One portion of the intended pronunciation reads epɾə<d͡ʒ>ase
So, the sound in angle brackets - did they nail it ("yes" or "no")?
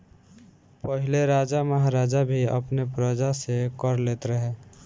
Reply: yes